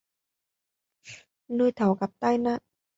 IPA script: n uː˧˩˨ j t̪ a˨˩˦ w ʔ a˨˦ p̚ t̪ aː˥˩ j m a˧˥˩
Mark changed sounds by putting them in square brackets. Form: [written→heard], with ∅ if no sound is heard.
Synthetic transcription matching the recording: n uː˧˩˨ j [t̪→t̪ʰ] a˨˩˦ w [ʔ→k] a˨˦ p̚ t̪ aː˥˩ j [m→n] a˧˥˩